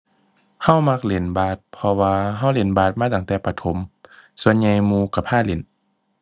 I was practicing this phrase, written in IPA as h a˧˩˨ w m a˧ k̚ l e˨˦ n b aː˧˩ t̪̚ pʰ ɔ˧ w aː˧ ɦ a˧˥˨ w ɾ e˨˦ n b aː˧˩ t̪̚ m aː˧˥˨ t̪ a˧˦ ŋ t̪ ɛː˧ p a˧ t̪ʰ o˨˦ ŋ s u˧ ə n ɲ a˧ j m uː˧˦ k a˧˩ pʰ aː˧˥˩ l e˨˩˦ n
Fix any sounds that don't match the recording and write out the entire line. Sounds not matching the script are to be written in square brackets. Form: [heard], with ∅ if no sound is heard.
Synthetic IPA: h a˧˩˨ w m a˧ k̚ l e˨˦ n b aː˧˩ t̪̚ pʰ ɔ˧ w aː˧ ɦ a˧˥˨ w [l] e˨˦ n b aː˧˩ t̪̚ m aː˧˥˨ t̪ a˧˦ ŋ t̪ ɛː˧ p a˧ t̪ʰ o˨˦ [m] s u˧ ə n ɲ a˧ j m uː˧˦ k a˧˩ pʰ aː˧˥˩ l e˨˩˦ n